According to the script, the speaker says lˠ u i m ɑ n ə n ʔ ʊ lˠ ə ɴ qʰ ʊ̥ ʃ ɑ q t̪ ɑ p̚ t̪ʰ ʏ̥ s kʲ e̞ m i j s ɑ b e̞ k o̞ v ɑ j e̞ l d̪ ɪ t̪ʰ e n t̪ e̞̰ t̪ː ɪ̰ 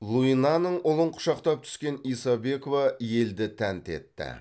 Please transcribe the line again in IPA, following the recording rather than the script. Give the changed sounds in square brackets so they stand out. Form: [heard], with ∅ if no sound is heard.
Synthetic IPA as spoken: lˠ u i [n] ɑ n ə [ɴ] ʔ ʊ lˠ ə ɴ qʰ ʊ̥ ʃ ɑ q t̪ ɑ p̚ t̪ʰ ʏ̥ s kʲ e̞ [n] i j s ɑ b e̞ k o̞ v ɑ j e̞ l d̪ ɪ t̪ʰ [æ] n t̪ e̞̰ t̪ː ɪ̰